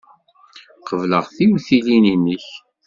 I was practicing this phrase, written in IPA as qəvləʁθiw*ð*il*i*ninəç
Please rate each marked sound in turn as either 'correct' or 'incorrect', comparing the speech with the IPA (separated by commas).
incorrect, correct